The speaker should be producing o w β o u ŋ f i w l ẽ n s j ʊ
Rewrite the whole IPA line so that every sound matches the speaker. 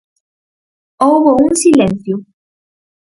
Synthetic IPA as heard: o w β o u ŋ s i l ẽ n θ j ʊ